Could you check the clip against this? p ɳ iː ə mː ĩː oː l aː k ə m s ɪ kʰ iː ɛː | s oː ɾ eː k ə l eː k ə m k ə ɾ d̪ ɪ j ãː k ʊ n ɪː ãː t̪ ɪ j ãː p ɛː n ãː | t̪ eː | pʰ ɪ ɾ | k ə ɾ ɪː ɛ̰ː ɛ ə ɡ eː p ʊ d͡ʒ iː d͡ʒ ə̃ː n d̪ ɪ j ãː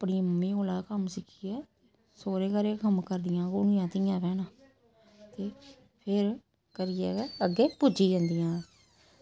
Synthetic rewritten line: p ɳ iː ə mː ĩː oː l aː k ə m s ɪ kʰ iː ɛː | s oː ɾ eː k ə ɾ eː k ə m k ə ɾ d̪ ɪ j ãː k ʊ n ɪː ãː t̪ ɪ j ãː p ɛː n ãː | t̪ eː | pʰ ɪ ɾ | k ə ɾ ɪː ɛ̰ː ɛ ə ɡ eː p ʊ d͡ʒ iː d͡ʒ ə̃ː n d̪ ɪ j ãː

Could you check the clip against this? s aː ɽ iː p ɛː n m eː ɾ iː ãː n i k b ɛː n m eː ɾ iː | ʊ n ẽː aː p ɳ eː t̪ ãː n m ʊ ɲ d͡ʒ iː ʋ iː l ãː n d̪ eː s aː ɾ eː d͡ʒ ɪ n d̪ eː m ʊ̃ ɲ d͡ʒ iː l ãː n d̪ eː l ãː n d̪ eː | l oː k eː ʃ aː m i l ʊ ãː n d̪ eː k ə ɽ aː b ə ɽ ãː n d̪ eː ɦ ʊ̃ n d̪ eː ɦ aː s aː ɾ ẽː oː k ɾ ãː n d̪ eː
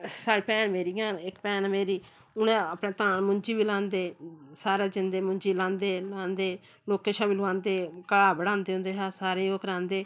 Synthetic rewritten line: s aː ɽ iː p ɛː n m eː ɾ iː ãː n ɪ k p ɛː n m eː ɾ iː | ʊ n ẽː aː p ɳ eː t̪ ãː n m ʊ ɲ d͡ʒ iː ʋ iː l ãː n d̪ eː s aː ɾ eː d͡ʒ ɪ n d̪ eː m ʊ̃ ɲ d͡ʒ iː l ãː n d̪ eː l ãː n d̪ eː | l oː k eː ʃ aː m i l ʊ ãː n d̪ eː k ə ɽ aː b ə ɽ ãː n d̪ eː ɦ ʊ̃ n d̪ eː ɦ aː s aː ɾ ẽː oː k ɾ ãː n d̪ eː

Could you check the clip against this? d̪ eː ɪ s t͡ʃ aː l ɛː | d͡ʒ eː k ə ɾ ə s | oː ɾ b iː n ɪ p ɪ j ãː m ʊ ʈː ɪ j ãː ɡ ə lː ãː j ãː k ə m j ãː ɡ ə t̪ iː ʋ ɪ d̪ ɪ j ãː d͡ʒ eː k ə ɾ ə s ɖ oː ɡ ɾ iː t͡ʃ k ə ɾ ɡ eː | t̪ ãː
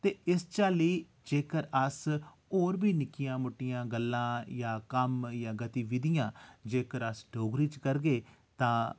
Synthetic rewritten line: t̪ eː ɪ s t͡ʃ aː l iː | d͡ʒ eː k ə ɾ ə s | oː ɾ b iː n ɪ k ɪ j ãː m ʊ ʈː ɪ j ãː ɡ ə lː ãː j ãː k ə m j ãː ɡ ə t̪ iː ʋ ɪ d̪ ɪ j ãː d͡ʒ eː k ə ɾ ə s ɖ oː ɡ ɾ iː t͡ʃ k ə ɾ ɡ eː | t̪ ãː

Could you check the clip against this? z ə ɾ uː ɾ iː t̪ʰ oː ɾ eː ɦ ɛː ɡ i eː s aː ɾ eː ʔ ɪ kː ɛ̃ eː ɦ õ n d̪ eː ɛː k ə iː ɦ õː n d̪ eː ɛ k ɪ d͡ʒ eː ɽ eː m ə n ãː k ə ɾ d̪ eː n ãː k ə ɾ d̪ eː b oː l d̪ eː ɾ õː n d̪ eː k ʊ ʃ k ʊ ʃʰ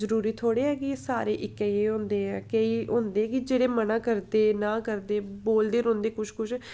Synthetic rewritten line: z ə ɾ uː ɾ iː t̪ʰ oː ɽ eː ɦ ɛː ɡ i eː s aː ɾ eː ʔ ɪ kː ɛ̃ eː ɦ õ n d̪ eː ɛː k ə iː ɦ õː n d̪ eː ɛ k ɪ d͡ʒ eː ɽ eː m ə n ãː k ə ɾ d̪ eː n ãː k ə ɾ d̪ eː b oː l d̪ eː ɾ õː n d̪ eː k ʊ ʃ k ʊ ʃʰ

